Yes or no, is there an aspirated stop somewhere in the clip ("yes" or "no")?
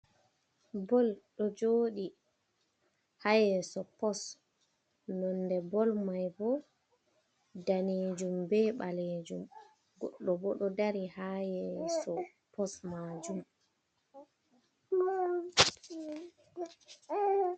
no